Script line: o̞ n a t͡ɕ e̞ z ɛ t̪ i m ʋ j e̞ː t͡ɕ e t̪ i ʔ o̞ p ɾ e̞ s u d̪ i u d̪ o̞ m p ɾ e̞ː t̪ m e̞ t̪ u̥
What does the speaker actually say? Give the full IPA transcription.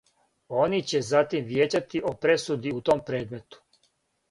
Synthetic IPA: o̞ n i t͡ɕ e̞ z a t̪ i m ʋ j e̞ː t͡ɕ a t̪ i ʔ o̞ p ɾ e̞ s u d̪ i u t̪ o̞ m p ɾ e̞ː d̪ m e̞ t̪ u̥